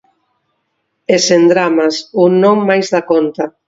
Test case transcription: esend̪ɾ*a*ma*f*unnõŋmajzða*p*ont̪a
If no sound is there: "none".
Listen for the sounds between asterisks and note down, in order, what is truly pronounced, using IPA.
a, s, k

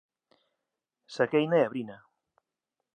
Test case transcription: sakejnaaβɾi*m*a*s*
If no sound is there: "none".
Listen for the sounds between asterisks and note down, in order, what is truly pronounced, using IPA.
n, none

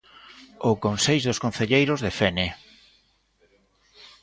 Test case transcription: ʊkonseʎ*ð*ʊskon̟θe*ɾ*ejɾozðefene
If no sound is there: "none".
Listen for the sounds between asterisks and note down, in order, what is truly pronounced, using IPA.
ð, ʎ

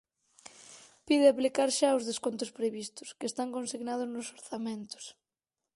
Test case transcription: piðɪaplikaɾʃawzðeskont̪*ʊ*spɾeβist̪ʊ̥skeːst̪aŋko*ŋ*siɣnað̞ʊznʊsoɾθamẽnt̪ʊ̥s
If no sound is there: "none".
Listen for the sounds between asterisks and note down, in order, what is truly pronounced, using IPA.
ʊ, n

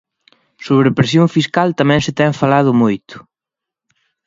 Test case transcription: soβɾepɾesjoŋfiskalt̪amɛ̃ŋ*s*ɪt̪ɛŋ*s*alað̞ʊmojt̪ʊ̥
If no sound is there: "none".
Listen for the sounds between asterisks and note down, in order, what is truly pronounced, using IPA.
s, f

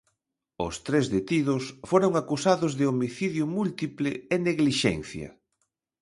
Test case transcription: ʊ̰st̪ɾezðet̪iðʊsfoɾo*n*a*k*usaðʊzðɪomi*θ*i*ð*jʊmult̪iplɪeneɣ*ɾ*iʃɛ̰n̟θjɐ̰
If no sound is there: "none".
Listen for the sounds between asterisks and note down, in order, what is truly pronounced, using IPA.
ŋ, k, θ, ð, l

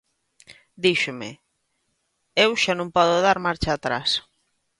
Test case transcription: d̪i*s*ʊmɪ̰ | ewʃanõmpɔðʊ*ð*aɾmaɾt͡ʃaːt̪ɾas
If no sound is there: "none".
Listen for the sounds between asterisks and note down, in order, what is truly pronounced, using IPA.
ʃ, ð

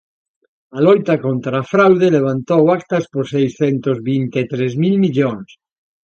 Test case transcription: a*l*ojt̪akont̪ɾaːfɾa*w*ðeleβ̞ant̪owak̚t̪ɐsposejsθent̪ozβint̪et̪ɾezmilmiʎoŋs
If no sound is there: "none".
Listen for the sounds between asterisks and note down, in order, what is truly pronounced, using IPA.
l, w

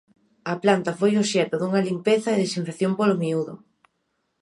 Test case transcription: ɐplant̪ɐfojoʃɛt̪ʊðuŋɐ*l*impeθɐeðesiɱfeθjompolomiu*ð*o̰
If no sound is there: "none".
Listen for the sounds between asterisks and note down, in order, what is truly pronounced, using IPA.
l, ð

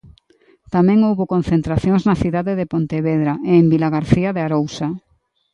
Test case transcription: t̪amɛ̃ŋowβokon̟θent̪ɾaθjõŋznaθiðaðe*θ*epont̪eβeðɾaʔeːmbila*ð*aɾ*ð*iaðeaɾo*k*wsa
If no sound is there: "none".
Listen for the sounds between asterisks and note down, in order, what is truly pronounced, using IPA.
ð, ɣ, θ, none

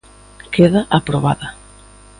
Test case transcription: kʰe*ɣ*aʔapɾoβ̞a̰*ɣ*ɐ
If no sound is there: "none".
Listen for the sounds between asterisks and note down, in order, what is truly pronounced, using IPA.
ð, ð

